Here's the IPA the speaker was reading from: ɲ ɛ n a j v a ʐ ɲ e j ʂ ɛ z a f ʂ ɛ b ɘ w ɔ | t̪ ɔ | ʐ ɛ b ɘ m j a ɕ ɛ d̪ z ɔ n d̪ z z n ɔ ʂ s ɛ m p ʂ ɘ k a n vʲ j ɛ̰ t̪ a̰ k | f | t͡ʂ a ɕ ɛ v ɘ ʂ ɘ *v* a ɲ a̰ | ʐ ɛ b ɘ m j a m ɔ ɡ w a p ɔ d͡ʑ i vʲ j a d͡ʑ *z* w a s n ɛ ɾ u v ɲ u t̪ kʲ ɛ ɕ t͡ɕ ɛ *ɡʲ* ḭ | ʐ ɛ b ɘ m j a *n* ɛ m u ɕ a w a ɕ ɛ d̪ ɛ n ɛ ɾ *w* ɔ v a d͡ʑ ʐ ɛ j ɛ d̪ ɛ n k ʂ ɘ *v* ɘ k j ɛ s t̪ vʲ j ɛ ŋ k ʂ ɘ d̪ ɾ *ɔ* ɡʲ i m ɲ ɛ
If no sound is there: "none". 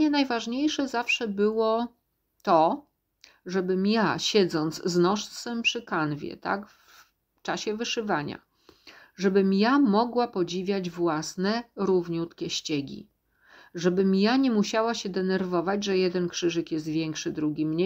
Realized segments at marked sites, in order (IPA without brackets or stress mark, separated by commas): v, v, ɡʲ, ɲ, v, ʐ, u